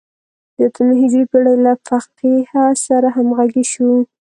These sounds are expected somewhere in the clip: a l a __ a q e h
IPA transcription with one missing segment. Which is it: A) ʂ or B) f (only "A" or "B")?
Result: B